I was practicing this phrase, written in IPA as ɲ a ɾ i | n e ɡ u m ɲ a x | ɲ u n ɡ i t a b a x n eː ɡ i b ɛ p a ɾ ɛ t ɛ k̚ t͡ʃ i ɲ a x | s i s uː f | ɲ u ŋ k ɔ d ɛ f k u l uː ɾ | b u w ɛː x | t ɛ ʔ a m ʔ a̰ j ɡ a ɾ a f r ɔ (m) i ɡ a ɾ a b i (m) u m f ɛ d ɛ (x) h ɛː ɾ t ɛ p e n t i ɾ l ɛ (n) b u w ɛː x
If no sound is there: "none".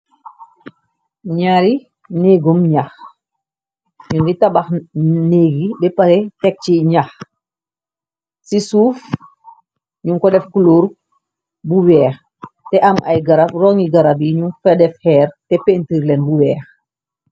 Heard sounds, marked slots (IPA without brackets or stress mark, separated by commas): ŋ, ɲ, f, n